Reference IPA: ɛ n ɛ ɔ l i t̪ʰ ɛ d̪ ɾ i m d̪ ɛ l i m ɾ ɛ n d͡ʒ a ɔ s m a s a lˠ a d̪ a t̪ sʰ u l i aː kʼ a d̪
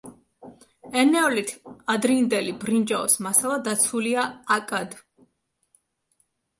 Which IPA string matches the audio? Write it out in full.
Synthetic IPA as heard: ɛ n ɛ ɔ l i t̪ʰ a d̪ ɾ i n d̪ ɛ l i b ɾ i n d͡ʒ a ɔ s m a s a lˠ a d̪ a t̪ sʰ u l i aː kʼ a d̪

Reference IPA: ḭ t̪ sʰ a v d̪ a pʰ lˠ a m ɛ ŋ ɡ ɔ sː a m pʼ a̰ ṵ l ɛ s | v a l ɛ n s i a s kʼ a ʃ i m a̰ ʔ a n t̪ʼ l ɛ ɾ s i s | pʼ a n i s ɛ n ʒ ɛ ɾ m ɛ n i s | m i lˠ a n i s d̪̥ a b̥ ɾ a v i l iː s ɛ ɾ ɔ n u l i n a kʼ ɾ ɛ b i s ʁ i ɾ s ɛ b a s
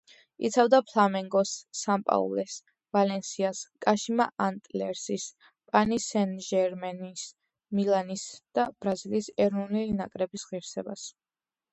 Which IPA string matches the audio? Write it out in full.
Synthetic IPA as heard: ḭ t̪ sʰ a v d̪ a pʰ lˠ a m ɛ ŋ ɡ ɔ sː a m pʼ a̰ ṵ l ɛ s | v a l ɛ n s i a s kʼ a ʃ i m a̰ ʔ a n t̪ʼ l ɛ ɾ s i s | pʼ a n i s ɛ n ʒ ɛ ɾ m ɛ n i s | m i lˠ a n i s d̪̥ a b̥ ɾ a z i l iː s ɛ ɾ ɔ n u l i n a kʼ ɾ ɛ b i s ʁ i ɾ s ɛ b a s

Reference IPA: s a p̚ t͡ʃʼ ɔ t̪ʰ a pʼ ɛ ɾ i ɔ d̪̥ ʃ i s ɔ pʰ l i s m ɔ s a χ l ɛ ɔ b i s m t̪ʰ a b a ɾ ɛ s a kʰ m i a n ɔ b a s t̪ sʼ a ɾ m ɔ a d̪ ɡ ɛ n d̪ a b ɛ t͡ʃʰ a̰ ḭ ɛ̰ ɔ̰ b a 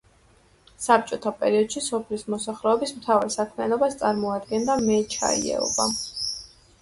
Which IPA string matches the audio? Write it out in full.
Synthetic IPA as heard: s a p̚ t͡ʃʼ ɔ t̪ʰ a pʼ ɛ ɾ i ɔ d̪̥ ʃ i s ɔ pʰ l i s m ɔ s a χ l ɛ ɔ b i s m t̪ʰ a v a ɾ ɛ s a kʰ m i a n ɔ b a s t̪ sʼ a ɾ m ɔ a d̪ ɡ ɛ n d̪ a m ɛ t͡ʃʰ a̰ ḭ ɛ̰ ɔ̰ b a

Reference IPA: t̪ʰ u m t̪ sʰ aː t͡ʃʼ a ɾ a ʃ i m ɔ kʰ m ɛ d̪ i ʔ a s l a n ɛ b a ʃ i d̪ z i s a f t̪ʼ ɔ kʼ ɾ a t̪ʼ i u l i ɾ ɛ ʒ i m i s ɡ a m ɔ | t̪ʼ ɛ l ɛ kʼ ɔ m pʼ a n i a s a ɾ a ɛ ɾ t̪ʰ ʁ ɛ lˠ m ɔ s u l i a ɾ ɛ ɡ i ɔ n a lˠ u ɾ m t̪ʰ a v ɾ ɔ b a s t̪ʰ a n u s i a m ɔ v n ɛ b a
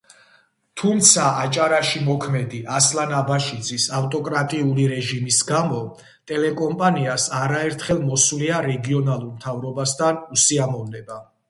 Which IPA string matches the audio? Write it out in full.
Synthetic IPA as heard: t̪ʰ u m t̪ sʰ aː t͡ʃʼ a ɾ a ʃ i m ɔ kʰ m ɛ d̪ i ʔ a s l a n a b a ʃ i d̪ z i s a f t̪ʼ ɔ kʼ ɾ a t̪ʼ i u l i ɾ ɛ ʒ i m i s ɡ a m ɔ | t̪ʼ ɛ l ɛ kʼ ɔ m pʼ a n i a s a ɾ a ɛ ɾ t̪ʰ χ ɛ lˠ m ɔ s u l i a ɾ ɛ ɡ i ɔ n a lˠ u ɾ m t̪ʰ a v ɾ ɔ b a s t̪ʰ a n u s i a m ɔ v n ɛ b a

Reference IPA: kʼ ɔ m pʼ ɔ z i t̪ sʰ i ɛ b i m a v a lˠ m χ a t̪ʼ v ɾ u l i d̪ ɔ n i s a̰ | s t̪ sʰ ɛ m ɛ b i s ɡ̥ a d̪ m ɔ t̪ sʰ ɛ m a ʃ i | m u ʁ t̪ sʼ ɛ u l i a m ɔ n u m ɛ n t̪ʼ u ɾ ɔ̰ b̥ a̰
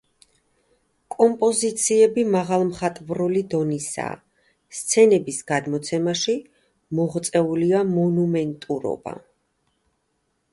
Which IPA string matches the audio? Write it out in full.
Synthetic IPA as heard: kʼ ɔ m pʼ ɔ z i t̪ sʰ i ɛ b i m a ʁ a lˠ m χ a t̪ʼ v ɾ u l i d̪ ɔ n i s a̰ | s t̪ sʰ ɛ n ɛ b i s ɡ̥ a d̪ m ɔ t̪ sʰ ɛ m a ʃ i | m ɔ ʁ t̪ sʼ ɛ u l i a m ɔ n u m ɛ n t̪ʼ u ɾ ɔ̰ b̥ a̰

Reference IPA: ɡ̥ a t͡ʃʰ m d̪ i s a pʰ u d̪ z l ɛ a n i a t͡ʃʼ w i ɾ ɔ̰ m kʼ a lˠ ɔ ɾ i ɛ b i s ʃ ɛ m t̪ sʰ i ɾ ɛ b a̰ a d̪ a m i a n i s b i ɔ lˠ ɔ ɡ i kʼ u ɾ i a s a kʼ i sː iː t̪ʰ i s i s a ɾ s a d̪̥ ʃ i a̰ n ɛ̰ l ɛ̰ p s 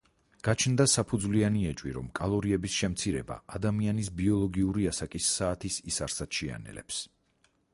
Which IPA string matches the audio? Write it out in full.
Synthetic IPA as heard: ɡ̥ a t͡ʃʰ n d̪ a s a pʰ u d̪ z l i a n i ɛ t͡ʃʼ w i ɾ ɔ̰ m kʼ a lˠ ɔ ɾ i ɛ b i s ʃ ɛ m t̪ sʰ i ɾ ɛ b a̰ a d̪ a m i a n i s b i ɔ lˠ ɔ ɡ i u ɾ i a s a kʼ i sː aː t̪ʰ i s i s a ɾ s a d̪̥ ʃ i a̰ n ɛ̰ l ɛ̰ p s

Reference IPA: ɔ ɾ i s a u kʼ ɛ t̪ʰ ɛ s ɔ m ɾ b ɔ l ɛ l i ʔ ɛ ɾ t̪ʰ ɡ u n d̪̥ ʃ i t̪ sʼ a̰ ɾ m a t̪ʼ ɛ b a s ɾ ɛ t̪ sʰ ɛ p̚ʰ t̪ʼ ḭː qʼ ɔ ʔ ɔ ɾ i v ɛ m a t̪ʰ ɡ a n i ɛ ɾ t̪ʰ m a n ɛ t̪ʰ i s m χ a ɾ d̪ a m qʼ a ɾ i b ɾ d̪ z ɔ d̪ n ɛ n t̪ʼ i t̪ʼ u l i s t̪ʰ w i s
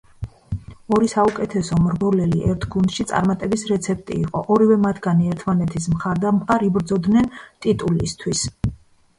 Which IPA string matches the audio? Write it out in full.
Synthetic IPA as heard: ɔ ɾ i s a u kʼ ɛ t̪ʰ ɛ s ɔ m ɾ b ɔ l ɛ l i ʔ ɛ ɾ t̪ʰ ɡ u n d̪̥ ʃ i t̪ sʼ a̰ ɾ m a t̪ʼ ɛ b i s ɾ ɛ t̪ sʰ ɛ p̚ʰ t̪ʼ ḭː qʼ ɔ ʔ ɔ ɾ i v ɛ m a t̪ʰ ɡ a n i ɛ ɾ t̪ʰ m a n ɛ t̪ʰ i s m χ a ɾ d̪ a m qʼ a ɾ i b ɾ d̪ z ɔ d̪ n ɛ n t̪ʼ i t̪ʼ u l i s t̪ʰ w i s

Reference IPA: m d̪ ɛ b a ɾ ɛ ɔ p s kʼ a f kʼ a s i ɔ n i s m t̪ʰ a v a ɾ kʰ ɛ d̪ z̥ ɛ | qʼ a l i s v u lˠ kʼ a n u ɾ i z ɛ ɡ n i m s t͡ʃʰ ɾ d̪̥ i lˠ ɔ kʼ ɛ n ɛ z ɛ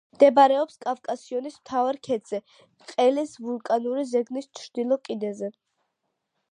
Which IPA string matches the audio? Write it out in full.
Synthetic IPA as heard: m d̪ ɛ b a ɾ ɛ ɔ p s kʼ a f kʼ a s i ɔ n i s m t̪ʰ a v a ɾ kʰ ɛ d̪ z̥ ɛ | qʼ ɛ l i s v u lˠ kʼ a n u ɾ i z ɛ ɡ n i s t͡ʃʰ ɾ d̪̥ i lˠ ɔ kʼ i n ɛ z ɛ

